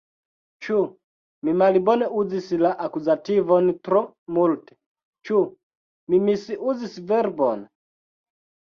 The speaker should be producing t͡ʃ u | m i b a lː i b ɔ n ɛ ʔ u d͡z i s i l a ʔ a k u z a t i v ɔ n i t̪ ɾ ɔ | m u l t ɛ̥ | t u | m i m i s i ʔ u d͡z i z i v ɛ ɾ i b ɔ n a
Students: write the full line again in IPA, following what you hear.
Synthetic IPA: t͡ʃ u | m i m a l i b ɔ n ɛ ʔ u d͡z i s i l a ʔ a k u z a t i v ɔ n i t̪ ɾ ɔ | m u l t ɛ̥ | t͡ʃ u | m i m i s i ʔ u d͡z i s i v ɛ ɾ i b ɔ n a